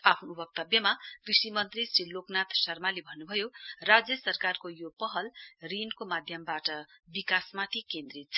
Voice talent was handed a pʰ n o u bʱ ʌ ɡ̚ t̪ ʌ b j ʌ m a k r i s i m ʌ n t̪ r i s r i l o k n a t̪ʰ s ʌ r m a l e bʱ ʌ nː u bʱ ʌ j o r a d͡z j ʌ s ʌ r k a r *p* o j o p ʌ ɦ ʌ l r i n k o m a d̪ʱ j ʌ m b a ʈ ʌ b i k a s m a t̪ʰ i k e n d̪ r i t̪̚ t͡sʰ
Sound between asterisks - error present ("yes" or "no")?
yes